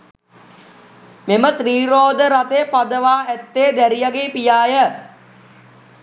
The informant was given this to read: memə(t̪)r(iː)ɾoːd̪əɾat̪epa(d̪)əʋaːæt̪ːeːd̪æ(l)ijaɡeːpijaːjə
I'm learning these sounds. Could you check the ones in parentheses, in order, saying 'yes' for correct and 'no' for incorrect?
yes, yes, yes, no

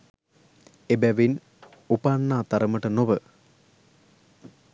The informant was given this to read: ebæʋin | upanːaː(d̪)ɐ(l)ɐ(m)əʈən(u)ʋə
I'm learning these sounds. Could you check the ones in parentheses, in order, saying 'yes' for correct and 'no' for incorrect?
no, no, yes, no

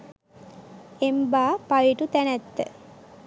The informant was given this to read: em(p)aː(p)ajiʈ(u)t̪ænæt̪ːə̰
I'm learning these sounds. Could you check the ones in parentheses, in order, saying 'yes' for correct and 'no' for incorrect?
no, yes, yes

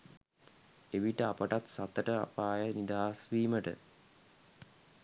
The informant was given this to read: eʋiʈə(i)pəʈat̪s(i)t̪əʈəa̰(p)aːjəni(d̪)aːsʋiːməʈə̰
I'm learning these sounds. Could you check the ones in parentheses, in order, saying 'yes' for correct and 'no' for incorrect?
no, no, yes, yes

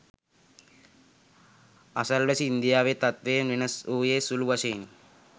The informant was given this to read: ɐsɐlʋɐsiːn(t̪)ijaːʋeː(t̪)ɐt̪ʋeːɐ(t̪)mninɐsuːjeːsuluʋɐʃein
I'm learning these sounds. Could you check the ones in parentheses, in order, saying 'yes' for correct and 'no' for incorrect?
no, yes, no

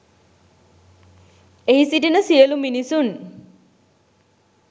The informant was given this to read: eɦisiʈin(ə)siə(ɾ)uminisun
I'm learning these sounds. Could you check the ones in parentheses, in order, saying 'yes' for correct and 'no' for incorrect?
yes, no

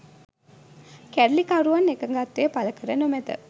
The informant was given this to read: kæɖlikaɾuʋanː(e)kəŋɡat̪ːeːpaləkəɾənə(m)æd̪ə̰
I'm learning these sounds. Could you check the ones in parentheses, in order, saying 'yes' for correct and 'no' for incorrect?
yes, yes

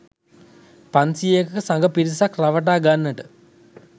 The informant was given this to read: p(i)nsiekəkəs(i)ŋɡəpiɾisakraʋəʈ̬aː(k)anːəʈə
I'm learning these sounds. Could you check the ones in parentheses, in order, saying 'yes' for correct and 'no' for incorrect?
no, no, no

